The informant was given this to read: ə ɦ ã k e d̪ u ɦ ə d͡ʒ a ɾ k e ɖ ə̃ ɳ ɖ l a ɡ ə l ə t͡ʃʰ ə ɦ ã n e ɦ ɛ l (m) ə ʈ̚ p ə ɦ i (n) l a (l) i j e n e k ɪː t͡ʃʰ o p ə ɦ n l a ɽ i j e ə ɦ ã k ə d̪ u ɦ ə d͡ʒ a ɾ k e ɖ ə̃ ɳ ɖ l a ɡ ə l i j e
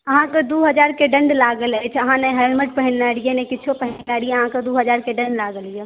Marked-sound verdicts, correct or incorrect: correct, correct, incorrect

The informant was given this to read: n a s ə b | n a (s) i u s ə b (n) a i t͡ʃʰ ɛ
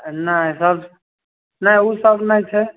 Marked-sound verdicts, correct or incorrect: incorrect, correct

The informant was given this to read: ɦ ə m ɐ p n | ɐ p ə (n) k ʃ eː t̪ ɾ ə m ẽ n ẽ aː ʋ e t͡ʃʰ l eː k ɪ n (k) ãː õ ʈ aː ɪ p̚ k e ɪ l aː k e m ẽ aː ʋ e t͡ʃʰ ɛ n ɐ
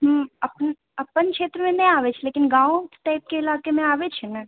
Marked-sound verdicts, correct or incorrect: correct, incorrect

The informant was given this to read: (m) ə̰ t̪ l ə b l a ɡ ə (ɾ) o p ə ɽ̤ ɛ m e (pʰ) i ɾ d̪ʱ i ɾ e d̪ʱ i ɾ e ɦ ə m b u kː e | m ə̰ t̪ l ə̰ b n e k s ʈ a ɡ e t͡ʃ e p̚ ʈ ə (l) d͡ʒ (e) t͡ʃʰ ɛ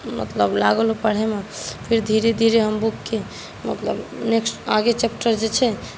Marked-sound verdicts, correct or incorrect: correct, incorrect, correct, incorrect, correct

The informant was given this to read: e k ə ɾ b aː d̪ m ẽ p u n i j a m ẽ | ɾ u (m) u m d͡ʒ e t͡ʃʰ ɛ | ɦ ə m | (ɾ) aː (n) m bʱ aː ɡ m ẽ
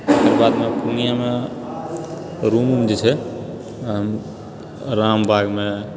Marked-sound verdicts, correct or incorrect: correct, correct, incorrect

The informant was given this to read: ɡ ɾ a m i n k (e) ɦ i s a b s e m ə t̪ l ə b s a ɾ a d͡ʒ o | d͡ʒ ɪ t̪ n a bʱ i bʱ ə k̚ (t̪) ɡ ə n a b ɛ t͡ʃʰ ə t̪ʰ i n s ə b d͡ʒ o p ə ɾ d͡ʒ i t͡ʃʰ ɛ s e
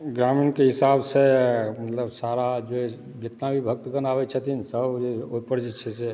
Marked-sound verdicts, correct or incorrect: correct, correct

